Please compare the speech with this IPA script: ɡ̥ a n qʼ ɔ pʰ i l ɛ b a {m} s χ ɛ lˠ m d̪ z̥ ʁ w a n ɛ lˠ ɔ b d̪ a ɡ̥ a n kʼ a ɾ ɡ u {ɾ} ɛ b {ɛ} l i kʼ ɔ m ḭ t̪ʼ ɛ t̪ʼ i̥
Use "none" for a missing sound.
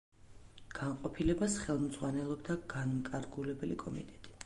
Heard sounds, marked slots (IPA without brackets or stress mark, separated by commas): none, l, ɛ